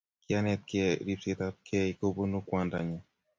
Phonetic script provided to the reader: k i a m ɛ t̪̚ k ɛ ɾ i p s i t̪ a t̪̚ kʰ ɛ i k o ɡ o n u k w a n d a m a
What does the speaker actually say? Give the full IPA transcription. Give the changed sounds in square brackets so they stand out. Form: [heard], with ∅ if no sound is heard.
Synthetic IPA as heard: k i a [n] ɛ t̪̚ k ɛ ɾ i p s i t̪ a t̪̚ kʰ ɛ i k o [b] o n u k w a n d a [ɲ] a